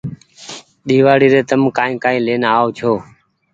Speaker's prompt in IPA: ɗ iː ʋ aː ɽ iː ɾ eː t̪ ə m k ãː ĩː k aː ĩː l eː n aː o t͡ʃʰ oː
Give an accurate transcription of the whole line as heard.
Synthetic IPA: ɗ iː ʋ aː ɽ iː ɾ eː t̪ ə m k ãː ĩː k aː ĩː l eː n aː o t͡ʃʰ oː